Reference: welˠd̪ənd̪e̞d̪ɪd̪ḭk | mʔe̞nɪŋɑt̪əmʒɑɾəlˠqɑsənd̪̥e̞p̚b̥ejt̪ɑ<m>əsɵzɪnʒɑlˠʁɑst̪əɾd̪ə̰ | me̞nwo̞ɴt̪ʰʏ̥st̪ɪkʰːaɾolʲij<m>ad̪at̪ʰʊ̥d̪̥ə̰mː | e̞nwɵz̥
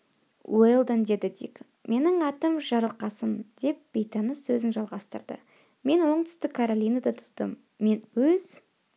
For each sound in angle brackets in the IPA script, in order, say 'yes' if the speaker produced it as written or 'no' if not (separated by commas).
no, no